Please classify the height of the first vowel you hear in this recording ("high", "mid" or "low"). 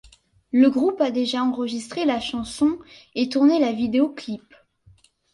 mid